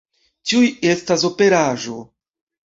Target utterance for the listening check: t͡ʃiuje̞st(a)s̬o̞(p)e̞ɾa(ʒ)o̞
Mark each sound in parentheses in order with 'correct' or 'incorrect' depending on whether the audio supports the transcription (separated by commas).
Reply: correct, correct, correct